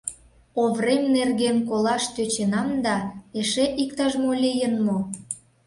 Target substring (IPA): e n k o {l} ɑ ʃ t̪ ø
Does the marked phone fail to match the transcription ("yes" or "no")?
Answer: no